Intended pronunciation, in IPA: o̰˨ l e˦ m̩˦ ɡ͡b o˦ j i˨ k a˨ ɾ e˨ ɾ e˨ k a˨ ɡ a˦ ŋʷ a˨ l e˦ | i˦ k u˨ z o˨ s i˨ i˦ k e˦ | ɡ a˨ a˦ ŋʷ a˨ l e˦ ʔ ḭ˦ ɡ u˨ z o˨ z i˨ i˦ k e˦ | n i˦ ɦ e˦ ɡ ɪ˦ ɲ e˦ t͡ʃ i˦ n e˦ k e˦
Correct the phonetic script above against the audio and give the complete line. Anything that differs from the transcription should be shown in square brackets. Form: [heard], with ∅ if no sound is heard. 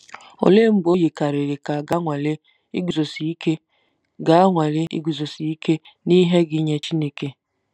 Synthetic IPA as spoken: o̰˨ l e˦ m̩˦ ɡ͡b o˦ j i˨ k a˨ ɾ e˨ ɾ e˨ k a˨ ɡ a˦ ŋʷ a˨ l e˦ | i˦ [ɡ] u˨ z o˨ s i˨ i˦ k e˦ | ɡ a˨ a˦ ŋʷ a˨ l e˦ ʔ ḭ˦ ɡ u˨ z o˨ [s] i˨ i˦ k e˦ | n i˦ ɦ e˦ ɡ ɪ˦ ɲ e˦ t͡ʃ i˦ n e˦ k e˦